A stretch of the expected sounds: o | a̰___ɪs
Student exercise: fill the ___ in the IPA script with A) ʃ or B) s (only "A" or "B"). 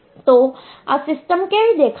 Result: B